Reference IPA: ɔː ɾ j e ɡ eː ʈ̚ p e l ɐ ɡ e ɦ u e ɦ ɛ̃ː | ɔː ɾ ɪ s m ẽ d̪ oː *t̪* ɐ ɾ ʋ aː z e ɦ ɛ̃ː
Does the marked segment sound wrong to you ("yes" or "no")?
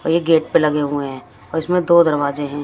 yes